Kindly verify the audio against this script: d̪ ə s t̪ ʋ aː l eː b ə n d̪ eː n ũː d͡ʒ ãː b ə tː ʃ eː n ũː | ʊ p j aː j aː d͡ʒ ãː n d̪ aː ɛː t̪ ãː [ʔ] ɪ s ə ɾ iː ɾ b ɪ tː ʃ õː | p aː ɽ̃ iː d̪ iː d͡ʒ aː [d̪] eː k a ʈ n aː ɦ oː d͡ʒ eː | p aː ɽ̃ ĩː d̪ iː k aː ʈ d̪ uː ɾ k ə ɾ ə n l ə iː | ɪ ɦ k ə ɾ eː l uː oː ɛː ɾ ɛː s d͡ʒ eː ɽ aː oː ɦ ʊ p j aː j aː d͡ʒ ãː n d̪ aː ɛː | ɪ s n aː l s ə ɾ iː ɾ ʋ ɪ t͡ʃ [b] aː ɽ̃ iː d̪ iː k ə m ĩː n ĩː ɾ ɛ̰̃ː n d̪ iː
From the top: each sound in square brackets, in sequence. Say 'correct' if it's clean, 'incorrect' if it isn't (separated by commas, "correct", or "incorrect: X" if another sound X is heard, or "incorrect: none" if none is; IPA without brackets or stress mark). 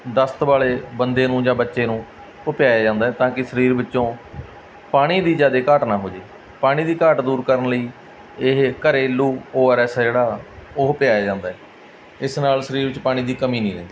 incorrect: k, correct, incorrect: p